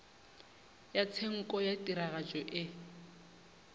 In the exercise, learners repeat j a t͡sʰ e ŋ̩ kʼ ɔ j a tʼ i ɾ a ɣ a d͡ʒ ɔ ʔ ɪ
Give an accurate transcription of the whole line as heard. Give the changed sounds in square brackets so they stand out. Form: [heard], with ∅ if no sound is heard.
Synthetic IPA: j a t͡sʰ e ŋ̩ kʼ ɔ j a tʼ i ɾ a ɣ a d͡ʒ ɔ ʔ ɪ